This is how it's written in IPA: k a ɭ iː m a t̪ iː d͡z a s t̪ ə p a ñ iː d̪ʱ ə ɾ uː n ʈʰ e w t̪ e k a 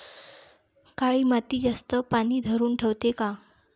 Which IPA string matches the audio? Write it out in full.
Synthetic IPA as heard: k a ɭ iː m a t̪ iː d͡z a s t̪ ə p a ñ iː d̪ʱ ə ɾ uː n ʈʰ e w t̪ e k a